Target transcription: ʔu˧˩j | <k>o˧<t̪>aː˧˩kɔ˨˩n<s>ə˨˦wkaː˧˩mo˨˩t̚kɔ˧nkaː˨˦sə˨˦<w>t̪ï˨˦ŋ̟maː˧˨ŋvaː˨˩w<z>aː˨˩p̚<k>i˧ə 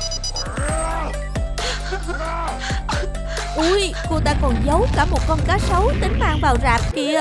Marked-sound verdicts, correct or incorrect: correct, correct, incorrect: z, correct, correct, correct

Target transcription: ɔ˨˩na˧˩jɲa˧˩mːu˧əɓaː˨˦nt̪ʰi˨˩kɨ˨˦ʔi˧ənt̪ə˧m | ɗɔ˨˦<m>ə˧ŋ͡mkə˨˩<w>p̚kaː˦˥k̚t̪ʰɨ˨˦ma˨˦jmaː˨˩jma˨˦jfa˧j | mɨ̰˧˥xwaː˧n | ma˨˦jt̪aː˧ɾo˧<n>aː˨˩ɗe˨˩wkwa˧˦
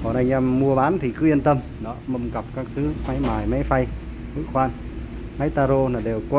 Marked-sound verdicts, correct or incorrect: correct, incorrect: none, correct

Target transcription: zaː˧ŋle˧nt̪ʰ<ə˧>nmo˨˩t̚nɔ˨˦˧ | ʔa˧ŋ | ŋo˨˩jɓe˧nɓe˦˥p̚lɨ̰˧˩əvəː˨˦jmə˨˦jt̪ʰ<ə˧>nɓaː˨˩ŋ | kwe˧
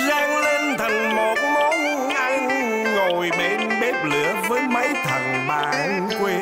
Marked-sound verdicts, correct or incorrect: incorrect: ə˨˩, incorrect: ə˨˩

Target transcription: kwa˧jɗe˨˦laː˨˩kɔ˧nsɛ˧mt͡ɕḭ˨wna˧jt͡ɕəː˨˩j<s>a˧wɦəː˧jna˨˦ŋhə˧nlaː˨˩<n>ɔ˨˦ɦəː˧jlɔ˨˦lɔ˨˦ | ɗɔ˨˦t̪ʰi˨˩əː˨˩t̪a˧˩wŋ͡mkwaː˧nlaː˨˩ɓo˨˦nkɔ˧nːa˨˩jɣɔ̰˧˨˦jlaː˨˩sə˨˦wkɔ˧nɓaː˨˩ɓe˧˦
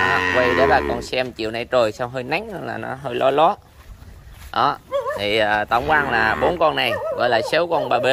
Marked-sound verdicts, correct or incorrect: correct, correct

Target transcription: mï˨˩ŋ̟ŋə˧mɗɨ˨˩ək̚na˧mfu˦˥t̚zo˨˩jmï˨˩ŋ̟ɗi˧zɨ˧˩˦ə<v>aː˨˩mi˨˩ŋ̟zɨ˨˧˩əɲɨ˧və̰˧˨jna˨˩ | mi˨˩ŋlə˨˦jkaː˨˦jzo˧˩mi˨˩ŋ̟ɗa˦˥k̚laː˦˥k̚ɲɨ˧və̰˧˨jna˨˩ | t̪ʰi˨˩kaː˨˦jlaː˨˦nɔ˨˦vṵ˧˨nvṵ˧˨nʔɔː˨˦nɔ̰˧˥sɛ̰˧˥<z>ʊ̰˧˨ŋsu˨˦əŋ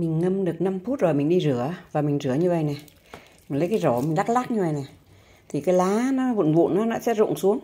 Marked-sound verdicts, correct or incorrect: correct, correct

